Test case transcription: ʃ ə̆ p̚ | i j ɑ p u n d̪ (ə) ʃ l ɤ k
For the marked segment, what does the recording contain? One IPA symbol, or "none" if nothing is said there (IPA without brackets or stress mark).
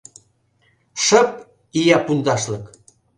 ɑ